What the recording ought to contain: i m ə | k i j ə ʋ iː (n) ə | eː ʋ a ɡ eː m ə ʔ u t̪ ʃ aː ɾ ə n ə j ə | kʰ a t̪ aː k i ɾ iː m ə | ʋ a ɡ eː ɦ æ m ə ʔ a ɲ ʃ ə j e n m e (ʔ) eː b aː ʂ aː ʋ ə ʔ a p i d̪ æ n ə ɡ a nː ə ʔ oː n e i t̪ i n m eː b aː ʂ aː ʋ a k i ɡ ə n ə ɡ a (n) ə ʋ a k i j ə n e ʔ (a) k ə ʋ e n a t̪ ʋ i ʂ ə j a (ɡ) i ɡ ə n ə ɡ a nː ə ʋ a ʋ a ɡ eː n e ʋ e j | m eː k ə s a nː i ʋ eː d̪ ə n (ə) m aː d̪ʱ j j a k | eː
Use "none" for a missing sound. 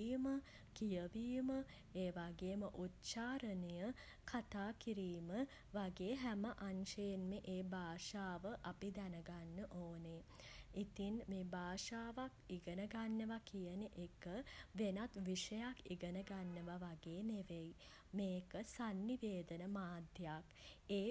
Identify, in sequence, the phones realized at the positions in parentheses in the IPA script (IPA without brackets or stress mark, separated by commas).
m, ʔ, nː, e, k, ə